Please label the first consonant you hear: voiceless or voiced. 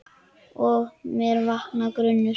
voiced